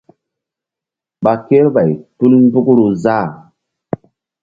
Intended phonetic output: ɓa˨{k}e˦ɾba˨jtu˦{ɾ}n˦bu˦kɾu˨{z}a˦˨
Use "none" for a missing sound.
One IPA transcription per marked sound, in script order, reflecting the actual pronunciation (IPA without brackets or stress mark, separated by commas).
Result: k, l, z